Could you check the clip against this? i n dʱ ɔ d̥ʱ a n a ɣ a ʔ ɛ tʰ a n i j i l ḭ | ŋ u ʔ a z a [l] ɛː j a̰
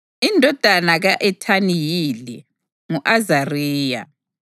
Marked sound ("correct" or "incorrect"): incorrect